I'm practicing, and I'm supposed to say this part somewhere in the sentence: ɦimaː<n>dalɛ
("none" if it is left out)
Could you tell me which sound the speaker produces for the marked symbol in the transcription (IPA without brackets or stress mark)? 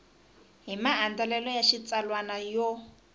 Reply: n